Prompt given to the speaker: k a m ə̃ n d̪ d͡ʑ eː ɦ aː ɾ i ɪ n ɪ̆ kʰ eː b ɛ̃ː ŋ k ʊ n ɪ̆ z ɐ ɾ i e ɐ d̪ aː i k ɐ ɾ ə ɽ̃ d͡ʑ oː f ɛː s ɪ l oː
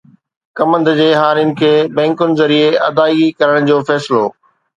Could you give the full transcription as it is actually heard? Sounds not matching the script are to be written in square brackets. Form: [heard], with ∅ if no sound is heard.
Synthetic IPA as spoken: k [ɐ] m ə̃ n d̪ d͡ʑ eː ɦ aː ɾ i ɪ n ɪ̆ kʰ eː b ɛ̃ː ŋ k ʊ n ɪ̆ z ɐ ɾ i e ɐ d̪ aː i k ɐ ɾ ə ɽ̃ d͡ʑ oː f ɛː s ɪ l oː